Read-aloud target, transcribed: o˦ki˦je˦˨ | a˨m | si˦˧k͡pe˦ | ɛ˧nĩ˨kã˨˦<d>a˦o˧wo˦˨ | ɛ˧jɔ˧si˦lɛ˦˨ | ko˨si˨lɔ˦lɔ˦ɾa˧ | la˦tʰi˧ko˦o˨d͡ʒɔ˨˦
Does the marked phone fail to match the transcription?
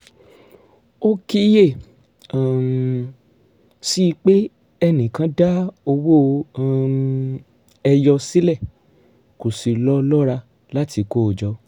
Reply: no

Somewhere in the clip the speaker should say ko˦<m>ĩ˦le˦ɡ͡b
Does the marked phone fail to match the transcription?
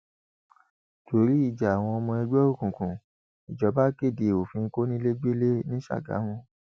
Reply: yes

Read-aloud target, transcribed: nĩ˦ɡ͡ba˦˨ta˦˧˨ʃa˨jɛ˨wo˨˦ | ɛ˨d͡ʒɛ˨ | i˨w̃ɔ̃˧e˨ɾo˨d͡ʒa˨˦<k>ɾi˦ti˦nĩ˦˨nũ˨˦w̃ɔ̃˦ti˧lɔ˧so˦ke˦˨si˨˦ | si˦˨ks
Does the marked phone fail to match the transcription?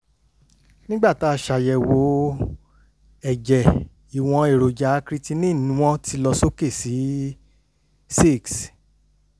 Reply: no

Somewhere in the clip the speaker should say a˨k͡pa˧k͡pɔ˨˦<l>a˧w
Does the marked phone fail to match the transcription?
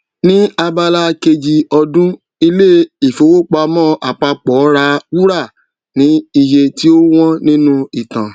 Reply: yes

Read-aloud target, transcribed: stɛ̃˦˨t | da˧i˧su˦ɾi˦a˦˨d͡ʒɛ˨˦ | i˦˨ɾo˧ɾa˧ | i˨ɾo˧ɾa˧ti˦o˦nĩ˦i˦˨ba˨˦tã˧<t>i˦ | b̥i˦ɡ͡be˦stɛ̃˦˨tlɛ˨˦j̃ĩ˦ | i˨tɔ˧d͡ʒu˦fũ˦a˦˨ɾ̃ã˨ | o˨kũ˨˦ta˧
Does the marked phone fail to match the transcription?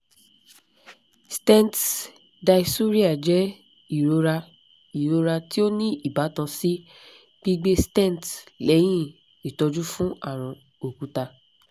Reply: yes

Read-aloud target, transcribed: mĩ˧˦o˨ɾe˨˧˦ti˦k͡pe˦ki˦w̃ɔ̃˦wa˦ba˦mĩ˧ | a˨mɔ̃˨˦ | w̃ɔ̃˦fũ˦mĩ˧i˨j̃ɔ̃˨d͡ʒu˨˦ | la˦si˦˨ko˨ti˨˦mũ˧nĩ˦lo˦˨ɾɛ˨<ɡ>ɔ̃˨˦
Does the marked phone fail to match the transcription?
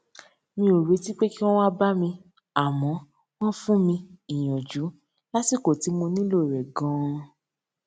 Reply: no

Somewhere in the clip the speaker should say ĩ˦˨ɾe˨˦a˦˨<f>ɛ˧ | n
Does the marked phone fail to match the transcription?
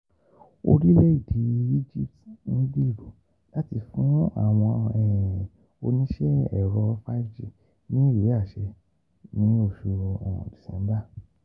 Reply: yes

